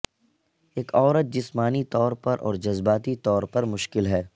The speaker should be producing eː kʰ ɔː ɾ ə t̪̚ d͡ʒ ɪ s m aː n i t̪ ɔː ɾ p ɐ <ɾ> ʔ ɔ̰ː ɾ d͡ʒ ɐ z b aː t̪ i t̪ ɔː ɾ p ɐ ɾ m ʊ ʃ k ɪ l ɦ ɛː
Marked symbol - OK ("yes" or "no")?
yes